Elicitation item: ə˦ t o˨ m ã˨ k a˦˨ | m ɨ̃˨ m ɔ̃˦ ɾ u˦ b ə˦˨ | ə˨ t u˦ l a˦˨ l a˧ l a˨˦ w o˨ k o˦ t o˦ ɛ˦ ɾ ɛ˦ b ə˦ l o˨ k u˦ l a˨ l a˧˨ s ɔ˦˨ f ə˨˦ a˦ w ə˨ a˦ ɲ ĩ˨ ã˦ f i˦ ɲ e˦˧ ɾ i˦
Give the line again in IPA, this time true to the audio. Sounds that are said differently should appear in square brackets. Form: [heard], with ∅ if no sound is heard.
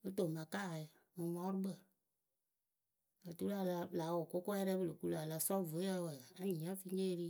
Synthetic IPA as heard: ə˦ t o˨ m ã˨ k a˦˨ | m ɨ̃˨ m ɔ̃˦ ɾ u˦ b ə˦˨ | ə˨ t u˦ l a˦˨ l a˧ l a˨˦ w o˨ k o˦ [k] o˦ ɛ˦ ɾ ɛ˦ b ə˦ l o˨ k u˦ l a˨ l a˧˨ s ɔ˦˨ [v] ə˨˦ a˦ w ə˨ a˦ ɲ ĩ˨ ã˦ f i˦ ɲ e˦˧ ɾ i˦